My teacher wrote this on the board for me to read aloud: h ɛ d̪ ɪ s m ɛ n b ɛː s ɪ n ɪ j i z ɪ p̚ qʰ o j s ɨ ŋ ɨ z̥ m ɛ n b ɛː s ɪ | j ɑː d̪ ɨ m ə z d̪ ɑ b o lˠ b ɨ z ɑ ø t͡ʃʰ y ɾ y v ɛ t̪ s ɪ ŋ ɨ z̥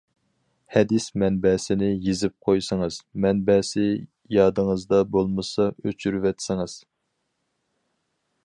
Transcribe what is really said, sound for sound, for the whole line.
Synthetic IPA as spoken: h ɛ d̪ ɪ s m ɛ n b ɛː s ɪ n ɪ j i z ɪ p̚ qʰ o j s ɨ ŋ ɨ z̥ m ɛ n b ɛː s ɪ | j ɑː d̪ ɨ ŋ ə z d̪ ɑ b o lˠ m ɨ s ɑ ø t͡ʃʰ y ɾ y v ɛ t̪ s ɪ ŋ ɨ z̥

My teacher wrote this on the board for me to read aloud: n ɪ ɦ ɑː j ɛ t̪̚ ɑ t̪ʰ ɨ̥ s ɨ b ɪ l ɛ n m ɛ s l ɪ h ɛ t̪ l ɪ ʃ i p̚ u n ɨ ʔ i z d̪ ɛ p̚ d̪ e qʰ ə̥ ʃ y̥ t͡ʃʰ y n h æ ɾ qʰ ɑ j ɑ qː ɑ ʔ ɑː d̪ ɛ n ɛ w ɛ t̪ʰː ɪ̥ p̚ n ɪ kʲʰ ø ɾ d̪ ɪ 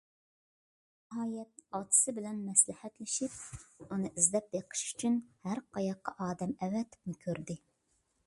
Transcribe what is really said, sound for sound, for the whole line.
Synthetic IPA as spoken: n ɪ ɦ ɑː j ɛ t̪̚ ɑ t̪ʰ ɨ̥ s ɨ b ɪ l ɛ n m ɛ s l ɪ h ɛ t̪ l ɪ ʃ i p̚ u n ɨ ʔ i z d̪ ɛ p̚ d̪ e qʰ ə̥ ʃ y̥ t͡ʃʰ y n h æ ɾ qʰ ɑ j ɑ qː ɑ ʔ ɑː d̪ ɛ m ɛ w ɛ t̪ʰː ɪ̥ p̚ n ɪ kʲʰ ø ɾ d̪ ɪ

